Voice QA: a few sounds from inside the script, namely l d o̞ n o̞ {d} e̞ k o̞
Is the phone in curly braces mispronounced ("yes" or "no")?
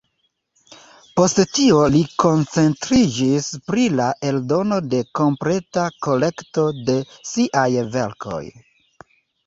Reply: no